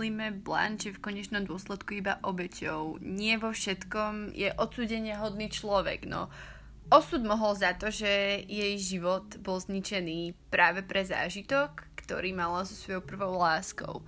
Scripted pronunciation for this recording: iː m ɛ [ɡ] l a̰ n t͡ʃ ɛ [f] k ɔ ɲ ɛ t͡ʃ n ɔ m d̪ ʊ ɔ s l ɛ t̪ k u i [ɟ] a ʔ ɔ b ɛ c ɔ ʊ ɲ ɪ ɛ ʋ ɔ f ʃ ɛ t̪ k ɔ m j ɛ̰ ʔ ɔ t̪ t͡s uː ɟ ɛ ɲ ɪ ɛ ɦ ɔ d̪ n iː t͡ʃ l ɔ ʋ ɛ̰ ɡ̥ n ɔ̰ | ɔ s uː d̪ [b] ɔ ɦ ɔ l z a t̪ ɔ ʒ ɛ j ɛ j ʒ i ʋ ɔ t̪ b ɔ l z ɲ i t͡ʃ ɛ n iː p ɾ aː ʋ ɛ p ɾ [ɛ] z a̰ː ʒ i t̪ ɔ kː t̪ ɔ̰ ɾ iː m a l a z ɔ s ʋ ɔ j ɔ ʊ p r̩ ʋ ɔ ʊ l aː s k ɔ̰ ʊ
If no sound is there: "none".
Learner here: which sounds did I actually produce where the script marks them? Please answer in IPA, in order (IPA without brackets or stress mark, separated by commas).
b, f, b, m, ɛ